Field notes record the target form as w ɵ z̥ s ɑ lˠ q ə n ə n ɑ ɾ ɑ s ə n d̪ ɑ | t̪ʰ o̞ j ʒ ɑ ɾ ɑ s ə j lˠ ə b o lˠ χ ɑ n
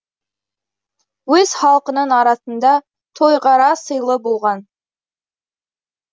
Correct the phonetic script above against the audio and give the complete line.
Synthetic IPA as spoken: w ɵ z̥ χ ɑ lˠ q ə n ə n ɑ ɾ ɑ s ə n d̪ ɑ | t̪ʰ o̞ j ʁ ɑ ɾ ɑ s ə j lˠ ə b o lˠ ʁ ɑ n